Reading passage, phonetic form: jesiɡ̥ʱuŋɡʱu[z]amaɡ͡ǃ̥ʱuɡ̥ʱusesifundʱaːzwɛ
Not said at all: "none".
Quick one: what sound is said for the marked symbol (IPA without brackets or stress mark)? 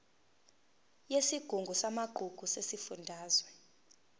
s